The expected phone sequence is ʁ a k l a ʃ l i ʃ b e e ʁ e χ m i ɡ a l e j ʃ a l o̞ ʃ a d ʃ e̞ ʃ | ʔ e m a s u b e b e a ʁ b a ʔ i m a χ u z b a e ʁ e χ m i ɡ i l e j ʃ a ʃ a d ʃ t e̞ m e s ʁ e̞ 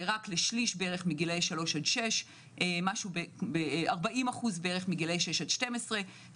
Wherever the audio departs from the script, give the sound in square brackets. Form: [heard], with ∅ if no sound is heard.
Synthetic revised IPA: ʁ a k l [e] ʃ l i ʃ b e e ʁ e χ m i ɡ [i] l e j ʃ a l o̞ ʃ a d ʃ e̞ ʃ | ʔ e m a [ʃ] u b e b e a ʁ b a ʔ i m a χ u z b [e] e ʁ e χ m i ɡ i l e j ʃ [e] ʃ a d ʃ t e̞ m e s ʁ e̞